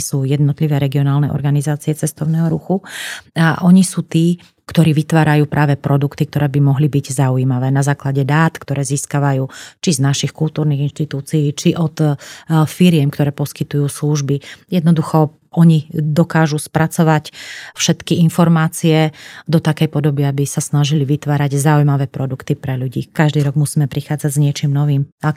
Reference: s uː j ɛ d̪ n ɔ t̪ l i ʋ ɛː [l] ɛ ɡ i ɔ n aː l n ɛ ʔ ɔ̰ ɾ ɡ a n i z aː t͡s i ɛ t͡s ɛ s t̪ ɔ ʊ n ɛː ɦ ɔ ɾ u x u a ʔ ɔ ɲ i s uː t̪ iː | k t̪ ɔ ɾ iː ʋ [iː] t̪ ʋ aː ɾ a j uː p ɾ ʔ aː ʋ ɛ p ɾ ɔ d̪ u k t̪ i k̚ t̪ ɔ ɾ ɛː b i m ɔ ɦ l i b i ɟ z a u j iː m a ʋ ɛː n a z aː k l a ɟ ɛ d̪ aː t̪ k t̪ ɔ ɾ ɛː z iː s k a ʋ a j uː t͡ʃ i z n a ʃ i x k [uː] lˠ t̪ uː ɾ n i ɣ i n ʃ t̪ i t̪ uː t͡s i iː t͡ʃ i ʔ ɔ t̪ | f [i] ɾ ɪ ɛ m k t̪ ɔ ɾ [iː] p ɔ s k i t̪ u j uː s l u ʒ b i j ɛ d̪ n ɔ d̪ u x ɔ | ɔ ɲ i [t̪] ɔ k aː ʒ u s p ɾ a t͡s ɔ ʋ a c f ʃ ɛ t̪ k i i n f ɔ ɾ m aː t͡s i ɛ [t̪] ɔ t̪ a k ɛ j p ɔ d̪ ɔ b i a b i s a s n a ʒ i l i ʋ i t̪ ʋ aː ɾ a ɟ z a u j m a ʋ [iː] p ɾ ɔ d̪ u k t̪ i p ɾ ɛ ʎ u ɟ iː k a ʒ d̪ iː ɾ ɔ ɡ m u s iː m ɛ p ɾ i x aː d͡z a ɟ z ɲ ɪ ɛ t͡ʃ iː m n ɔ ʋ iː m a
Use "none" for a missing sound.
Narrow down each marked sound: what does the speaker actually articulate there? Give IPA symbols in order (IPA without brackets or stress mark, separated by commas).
ɾ, i, u, i, ɛː, d̪, d̪, ɛː